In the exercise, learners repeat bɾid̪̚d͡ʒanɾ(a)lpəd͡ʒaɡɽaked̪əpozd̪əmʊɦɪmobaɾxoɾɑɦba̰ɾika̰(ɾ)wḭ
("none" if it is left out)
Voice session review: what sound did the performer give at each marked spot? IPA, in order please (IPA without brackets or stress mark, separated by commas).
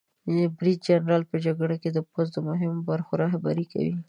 ɑ, none